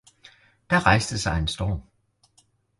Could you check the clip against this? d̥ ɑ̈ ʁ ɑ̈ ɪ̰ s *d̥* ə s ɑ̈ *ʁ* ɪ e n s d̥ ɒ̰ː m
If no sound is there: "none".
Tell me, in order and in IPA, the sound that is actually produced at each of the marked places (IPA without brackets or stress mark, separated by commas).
d̥, none